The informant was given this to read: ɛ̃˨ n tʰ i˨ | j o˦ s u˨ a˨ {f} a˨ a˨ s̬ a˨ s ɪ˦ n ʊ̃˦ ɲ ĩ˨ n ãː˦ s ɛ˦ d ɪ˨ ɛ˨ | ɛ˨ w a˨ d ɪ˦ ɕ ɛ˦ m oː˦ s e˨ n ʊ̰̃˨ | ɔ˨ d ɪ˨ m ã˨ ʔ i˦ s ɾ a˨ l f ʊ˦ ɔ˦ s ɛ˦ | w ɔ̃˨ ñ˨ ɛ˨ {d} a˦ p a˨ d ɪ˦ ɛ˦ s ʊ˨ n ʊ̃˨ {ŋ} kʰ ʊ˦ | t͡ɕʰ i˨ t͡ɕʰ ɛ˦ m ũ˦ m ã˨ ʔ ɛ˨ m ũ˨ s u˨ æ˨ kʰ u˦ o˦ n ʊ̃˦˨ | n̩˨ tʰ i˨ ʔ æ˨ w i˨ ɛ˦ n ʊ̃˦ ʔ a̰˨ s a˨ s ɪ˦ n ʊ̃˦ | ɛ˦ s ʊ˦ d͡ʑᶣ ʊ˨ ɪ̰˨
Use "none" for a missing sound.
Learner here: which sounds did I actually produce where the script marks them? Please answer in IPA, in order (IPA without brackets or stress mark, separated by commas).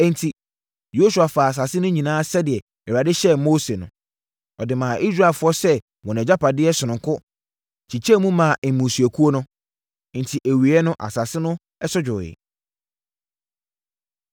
f, d͡ʑ, ŋ